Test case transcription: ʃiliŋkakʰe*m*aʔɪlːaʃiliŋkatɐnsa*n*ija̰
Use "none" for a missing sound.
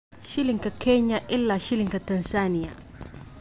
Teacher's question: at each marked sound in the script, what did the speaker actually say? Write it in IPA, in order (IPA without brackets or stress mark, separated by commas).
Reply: ɲ, n